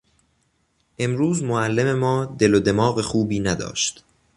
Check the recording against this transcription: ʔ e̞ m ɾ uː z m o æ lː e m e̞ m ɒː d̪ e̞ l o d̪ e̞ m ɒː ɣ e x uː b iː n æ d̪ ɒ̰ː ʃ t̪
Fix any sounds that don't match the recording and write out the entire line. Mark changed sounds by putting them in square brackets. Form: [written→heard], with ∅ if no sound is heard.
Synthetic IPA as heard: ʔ e̞ m ɾ uː z m o æ lː e m e̞ m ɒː d̪ e̞ l o d̪ e̞ m ɒː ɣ e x uː b iː n æ d̪ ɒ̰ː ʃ t̪